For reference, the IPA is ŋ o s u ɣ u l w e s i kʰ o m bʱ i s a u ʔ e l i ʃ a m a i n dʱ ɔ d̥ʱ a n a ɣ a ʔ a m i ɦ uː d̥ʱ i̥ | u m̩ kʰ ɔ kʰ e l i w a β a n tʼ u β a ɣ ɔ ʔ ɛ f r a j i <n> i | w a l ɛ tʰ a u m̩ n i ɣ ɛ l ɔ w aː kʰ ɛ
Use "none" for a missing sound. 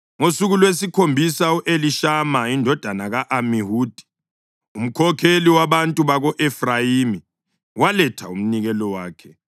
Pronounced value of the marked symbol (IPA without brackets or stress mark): m